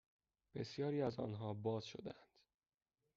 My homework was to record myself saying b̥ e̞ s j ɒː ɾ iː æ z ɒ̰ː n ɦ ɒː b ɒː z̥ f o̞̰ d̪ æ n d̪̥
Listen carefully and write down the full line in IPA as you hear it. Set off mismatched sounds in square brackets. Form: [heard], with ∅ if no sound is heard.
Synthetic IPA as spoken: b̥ e̞ s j ɒː ɾ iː æ z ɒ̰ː n ɦ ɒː b ɒː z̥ [ʃ] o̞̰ d̪ æ n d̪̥